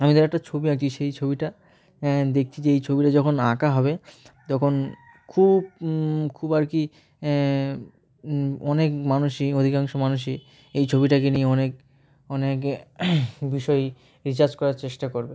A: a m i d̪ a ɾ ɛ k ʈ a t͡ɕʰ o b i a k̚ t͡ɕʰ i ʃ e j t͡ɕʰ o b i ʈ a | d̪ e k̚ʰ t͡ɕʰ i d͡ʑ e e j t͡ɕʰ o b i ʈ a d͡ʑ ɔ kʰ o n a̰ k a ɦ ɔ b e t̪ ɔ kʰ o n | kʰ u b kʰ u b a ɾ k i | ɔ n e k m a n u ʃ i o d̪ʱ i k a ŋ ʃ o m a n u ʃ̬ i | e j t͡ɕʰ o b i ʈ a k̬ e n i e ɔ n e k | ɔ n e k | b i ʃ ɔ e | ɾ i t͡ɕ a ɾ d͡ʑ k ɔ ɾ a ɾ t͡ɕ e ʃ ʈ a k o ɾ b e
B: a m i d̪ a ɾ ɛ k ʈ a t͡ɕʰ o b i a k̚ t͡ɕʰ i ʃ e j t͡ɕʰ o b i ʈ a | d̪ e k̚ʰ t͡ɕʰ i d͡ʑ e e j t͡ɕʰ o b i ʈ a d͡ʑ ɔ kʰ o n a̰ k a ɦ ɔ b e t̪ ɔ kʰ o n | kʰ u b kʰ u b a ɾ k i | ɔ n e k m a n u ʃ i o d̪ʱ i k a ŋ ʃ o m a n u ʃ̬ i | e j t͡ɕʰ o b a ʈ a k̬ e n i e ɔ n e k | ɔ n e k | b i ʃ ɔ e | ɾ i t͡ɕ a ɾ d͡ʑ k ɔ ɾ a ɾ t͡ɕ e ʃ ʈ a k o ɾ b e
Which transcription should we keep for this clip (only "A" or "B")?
A